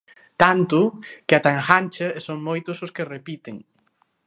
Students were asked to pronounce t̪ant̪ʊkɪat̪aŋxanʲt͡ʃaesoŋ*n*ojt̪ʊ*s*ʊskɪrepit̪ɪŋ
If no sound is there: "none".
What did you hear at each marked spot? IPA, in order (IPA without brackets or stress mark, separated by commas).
m, s